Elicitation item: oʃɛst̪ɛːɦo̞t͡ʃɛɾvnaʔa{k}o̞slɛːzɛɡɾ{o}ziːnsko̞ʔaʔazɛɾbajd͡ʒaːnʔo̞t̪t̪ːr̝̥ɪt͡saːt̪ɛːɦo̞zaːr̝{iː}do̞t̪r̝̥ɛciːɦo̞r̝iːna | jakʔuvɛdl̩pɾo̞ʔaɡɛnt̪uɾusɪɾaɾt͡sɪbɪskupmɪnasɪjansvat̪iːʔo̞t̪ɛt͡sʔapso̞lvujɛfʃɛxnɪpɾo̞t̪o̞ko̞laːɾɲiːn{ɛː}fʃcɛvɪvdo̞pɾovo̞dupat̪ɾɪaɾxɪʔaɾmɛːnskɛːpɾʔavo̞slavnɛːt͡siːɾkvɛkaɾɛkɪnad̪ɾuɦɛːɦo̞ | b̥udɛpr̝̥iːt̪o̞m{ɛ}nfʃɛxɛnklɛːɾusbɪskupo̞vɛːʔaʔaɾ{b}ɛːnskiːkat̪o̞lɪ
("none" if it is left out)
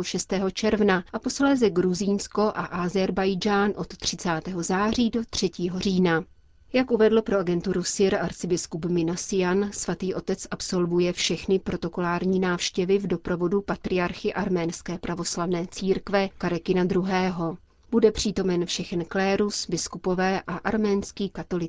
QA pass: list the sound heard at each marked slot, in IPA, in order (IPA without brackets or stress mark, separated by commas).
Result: p, u, iː, aː, ɛ, m